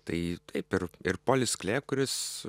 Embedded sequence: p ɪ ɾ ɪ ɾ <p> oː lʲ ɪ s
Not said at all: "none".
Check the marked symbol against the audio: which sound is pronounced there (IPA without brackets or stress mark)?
p